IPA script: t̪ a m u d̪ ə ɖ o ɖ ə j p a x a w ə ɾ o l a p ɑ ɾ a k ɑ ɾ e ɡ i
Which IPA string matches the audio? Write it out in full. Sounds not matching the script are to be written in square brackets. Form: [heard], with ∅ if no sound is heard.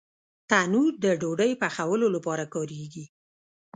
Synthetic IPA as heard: t̪ a [n] u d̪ ə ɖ o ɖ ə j p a x a w ə [l] o l a p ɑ ɾ a k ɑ ɾ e ɡ i